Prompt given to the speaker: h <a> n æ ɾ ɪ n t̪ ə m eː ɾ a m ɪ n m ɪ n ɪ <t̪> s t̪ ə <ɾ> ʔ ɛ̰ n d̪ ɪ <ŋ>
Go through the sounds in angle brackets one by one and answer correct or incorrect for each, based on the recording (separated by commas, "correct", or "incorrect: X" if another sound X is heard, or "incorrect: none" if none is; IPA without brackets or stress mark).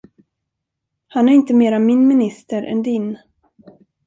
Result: correct, incorrect: none, correct, incorrect: n